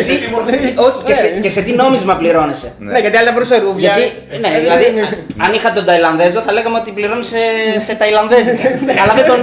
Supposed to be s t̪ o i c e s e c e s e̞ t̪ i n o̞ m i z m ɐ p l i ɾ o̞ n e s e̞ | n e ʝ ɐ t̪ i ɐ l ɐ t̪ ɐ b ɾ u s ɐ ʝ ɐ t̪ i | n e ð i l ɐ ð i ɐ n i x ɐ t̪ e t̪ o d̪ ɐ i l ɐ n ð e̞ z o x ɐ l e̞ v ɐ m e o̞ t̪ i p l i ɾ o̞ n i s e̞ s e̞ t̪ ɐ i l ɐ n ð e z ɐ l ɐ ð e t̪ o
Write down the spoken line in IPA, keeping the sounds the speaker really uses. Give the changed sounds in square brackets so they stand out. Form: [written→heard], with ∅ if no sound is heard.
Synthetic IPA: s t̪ o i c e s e c e s e̞ t̪ i n o̞ m i z m ɐ p l i ɾ o̞ n e s e̞ | n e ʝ ɐ t̪ i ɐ l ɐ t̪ ɐ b ɾ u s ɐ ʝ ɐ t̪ i | n e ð i l ɐ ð i ɐ n i x ɐ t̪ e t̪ o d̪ ɐ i l ɐ n ð e̞ z o [x→θ] ɐ l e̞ [v→ɣ] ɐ m e o̞ t̪ i p l i ɾ o̞ n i s e̞ s e̞ t̪ ɐ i l ɐ n ð e z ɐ l ɐ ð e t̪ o